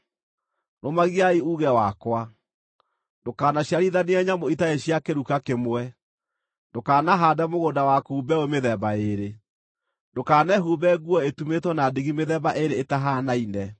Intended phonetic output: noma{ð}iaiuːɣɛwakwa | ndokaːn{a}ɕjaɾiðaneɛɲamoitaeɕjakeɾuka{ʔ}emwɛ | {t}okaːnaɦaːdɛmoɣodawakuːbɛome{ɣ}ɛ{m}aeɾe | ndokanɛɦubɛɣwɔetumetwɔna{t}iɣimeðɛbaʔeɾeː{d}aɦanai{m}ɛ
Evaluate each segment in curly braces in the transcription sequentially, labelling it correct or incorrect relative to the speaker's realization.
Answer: incorrect: ɣ, correct, incorrect: k, incorrect: d, incorrect: ð, incorrect: b, incorrect: d, incorrect: t, incorrect: n

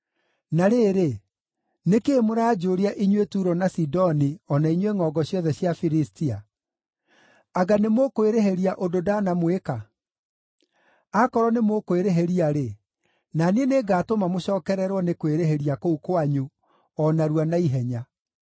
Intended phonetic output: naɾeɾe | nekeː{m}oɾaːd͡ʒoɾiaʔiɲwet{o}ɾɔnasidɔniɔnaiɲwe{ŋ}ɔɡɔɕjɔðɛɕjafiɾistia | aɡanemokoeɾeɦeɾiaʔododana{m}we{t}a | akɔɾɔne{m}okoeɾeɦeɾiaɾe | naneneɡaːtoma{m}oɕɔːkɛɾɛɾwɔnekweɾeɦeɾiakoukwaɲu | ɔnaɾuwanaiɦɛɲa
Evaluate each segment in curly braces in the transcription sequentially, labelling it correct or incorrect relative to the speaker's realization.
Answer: correct, incorrect: u, correct, correct, incorrect: k, correct, correct

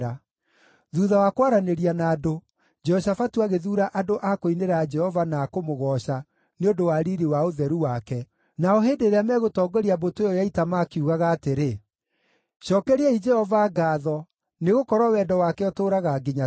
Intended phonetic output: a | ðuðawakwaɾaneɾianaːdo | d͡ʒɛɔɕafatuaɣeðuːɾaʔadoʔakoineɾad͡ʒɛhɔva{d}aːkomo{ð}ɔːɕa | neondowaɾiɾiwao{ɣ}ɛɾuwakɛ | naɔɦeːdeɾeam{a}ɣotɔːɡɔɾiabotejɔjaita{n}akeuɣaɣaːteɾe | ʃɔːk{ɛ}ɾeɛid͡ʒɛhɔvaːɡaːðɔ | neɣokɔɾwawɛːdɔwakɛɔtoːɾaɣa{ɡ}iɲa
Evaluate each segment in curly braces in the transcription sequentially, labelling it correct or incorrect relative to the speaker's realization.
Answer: incorrect: n, incorrect: ɣ, incorrect: ð, incorrect: ɛ, incorrect: m, correct, correct

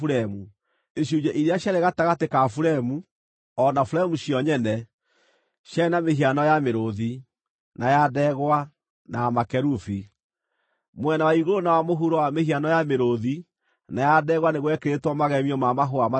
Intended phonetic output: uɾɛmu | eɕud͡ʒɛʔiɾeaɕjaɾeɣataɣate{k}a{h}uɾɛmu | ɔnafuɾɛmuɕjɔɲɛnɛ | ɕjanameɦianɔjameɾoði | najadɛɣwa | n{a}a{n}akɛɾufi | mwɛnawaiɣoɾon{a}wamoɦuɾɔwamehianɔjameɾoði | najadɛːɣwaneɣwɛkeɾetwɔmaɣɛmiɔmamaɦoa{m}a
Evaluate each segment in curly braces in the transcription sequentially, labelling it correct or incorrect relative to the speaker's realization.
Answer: correct, incorrect: f, correct, incorrect: m, correct, correct

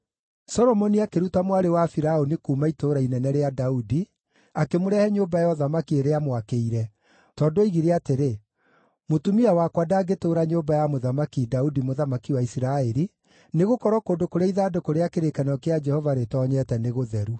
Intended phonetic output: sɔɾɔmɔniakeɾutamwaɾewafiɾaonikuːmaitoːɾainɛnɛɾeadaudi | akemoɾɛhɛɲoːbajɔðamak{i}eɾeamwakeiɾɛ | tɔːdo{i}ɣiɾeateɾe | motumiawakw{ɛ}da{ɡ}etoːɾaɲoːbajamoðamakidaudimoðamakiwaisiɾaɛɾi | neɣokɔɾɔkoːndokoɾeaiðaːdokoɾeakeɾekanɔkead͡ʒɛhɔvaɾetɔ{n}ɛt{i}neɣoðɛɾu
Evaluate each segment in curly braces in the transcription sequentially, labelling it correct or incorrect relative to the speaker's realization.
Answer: correct, correct, incorrect: a, correct, incorrect: ɲ, incorrect: ɛ

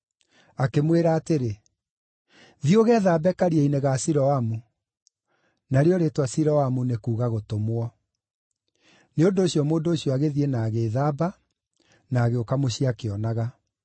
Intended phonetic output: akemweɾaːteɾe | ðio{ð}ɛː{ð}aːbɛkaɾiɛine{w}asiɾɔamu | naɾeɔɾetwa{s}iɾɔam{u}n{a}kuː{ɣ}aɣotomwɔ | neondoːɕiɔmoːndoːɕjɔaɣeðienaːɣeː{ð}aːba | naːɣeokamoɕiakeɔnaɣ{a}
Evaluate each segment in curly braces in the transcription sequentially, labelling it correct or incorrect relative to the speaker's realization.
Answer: incorrect: ɣ, correct, incorrect: ɣ, correct, correct, incorrect: e, correct, correct, correct

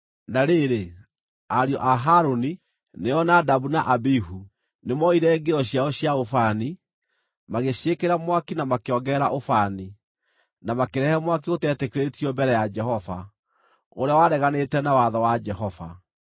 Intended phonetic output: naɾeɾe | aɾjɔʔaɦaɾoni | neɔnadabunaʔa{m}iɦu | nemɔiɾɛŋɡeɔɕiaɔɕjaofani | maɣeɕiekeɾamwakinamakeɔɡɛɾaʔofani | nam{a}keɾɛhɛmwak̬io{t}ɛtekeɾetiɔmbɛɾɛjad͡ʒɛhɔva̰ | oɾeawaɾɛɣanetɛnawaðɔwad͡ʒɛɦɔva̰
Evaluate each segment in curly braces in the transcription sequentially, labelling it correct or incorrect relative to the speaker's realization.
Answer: incorrect: b, correct, correct

